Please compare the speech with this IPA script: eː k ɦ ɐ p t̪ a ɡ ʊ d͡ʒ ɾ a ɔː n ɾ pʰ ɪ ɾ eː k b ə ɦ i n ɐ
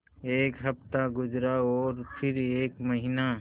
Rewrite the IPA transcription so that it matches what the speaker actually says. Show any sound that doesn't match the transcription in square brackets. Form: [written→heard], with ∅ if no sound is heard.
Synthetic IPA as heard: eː k ɦ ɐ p t̪ a ɡ ʊ d͡ʒ ɾ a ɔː [n→∅] ɾ pʰ ɪ ɾ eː k [b→m] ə ɦ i n [ɐ→a]